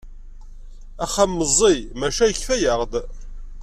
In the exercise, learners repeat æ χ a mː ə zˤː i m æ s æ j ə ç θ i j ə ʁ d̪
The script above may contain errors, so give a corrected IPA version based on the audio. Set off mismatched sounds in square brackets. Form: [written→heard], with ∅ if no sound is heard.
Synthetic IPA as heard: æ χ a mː ə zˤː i m æ [s→ʃ] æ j ə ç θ [i→æ] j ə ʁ d̪

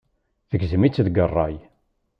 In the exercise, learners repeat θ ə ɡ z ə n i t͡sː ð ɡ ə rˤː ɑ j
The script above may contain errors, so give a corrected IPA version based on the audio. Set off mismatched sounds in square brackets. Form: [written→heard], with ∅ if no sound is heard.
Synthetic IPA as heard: θ ə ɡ z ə [n→m] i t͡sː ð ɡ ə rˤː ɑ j

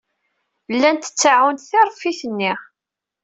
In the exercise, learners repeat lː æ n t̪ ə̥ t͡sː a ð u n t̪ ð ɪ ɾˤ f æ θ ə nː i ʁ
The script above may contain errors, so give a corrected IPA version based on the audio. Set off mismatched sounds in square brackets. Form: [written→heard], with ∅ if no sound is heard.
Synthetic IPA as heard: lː æ n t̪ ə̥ t͡sː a [ð→ʕ] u n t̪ [ð→θ] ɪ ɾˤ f [æ→i] θ ə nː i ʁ

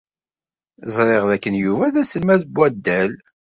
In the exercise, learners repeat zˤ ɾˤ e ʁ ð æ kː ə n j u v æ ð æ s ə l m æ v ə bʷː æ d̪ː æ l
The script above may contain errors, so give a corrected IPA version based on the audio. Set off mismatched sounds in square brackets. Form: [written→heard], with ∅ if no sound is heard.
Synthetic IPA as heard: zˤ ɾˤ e ʁ ð æ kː ə n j u v æ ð æ s ə l m æ [v→ð] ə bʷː æ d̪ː æ l

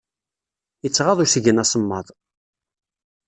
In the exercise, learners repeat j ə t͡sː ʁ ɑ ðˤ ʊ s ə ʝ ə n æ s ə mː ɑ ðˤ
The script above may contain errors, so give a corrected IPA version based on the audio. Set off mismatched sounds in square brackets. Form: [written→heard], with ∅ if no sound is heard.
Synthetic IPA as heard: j ə t͡sː ʁ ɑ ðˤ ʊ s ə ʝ ə n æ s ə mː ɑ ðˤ

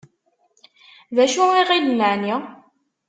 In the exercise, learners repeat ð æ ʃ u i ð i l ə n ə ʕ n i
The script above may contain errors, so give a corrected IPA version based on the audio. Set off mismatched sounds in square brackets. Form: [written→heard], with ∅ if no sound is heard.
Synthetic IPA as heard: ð æ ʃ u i [ð→ʁ] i l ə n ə ʕ n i

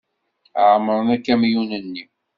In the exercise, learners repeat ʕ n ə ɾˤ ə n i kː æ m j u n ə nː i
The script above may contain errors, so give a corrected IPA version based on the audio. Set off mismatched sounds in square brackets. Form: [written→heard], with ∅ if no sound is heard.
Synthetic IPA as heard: ʕ [n→m] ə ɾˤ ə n [i→æ] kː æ m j u n ə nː i

